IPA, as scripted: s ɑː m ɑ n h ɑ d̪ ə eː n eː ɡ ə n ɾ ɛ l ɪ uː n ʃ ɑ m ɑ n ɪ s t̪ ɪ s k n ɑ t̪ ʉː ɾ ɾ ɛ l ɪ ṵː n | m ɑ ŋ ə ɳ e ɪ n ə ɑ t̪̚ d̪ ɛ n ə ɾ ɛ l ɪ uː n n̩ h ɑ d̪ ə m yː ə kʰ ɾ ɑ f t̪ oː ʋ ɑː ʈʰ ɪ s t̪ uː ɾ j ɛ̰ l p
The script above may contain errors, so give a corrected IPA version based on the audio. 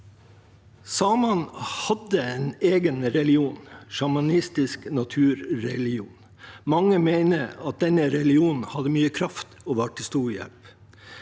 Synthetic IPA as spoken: s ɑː m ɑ n h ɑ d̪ ə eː n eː ɡ ə n ɾ ɛ l ɪ uː n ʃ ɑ m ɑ n ɪ s t̪ ɪ s k n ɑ t̪ʰ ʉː ɾ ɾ ɛ l ɪ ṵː n | m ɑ ŋ ə m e ɪ n ə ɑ t̪̚ d̪ ɛ n ə ɾ ɛ l ɪ uː n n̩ h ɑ d̪ ə m yː ə kʰ ɾ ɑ f t̪ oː ʋ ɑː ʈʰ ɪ s t̪ uː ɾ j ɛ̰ l p